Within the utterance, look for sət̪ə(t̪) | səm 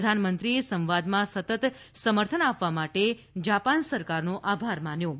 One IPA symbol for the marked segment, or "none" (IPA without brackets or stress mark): t̪